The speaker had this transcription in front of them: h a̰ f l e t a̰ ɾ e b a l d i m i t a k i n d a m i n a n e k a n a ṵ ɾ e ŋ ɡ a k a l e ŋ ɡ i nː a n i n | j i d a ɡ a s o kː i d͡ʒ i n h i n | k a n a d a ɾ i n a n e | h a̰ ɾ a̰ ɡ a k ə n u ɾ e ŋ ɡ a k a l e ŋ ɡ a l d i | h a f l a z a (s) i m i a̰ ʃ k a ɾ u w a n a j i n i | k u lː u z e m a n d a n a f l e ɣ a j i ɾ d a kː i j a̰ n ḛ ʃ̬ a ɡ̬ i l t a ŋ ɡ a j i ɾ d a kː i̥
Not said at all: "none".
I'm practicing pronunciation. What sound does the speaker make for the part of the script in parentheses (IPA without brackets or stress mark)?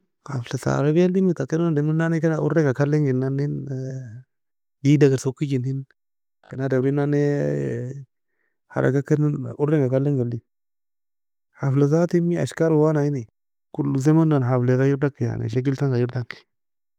t